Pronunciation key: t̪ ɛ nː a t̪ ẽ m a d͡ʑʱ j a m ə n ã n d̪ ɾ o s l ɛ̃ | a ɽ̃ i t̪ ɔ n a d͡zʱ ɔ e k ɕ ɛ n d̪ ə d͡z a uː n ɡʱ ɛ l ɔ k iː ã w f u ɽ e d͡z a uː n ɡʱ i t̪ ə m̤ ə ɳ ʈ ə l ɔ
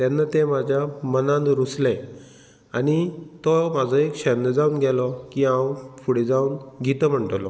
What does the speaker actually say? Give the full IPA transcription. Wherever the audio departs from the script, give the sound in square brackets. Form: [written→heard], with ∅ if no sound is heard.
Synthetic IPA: t̪ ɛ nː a t̪ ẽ m a d͡ʑʱ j a m ə n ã n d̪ ɾ [o→u] s l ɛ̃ | a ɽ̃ i t̪ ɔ [n→m] a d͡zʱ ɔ e k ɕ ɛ n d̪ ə d͡z a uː n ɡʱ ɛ l ɔ k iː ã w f u ɽ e d͡z a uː n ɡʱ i t̪ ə m̤ ə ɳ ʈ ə l ɔ